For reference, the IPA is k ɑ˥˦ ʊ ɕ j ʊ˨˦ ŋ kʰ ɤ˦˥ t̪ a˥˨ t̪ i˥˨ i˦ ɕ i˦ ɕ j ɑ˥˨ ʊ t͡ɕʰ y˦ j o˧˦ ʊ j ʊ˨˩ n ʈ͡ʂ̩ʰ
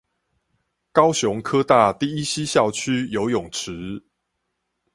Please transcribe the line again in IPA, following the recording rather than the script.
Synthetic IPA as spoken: k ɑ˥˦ ʊ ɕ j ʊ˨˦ ŋ kʰ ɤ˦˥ t̪ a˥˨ t̪ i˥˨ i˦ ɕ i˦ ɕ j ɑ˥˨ ʊ t͡ɕʰ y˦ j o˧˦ ʊ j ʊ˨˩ ŋ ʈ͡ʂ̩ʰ